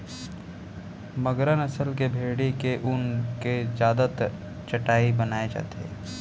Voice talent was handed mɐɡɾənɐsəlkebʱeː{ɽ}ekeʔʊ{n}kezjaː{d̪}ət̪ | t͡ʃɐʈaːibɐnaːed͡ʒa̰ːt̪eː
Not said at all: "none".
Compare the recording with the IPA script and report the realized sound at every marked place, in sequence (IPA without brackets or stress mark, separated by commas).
ɽ, n, d̪